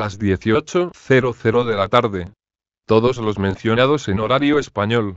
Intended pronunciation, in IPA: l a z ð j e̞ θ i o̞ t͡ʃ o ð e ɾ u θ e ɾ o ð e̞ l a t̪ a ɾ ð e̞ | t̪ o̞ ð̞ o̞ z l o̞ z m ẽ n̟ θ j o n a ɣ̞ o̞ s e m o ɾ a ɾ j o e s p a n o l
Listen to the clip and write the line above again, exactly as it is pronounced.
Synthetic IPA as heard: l a z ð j e̞ θ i o̞ t͡ʃ o θ e ɾ o θ e ɾ o ð e̞ l a t̪ a ɾ ð e̞ | t̪ o̞ ð̞ o̞ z l o̞ z m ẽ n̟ θ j o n a ð̞ o̞ s e n o ɾ a ɾ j o e s p a ɲ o l